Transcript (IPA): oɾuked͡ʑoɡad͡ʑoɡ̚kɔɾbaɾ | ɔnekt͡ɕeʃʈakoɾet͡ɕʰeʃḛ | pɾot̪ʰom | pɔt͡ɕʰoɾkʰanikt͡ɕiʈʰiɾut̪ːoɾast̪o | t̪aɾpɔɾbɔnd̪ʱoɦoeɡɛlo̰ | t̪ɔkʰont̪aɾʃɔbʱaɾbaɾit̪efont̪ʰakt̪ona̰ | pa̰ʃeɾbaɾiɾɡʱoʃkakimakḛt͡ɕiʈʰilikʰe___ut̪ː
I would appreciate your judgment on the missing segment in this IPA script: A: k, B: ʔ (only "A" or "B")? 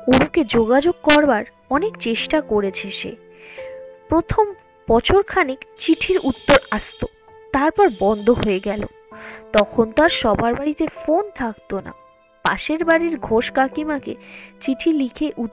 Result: B